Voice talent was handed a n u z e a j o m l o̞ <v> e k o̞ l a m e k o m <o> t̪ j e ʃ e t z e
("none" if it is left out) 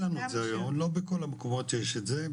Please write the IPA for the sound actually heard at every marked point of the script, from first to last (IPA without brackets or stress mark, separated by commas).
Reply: b, o